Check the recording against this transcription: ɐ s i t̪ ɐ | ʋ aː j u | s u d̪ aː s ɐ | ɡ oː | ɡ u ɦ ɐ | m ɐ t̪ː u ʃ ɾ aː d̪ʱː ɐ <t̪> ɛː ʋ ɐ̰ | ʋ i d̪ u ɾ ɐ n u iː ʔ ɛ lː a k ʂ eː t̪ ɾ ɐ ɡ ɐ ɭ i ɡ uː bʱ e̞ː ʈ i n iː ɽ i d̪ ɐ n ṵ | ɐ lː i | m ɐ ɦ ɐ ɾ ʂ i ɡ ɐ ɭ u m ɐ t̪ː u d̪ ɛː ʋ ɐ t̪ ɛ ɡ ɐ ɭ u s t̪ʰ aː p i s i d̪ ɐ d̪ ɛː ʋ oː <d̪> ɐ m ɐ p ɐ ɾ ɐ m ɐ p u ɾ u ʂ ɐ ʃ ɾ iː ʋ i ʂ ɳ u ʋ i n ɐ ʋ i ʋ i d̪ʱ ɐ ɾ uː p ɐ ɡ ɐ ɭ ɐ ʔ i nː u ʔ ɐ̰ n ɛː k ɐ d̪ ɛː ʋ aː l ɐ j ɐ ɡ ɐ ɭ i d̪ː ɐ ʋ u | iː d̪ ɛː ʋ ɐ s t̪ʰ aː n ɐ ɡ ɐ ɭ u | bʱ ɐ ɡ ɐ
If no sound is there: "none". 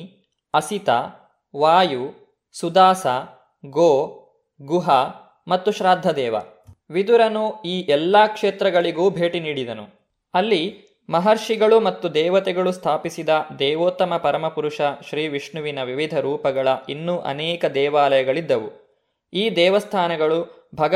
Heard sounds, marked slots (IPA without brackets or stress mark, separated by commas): d̪, t̪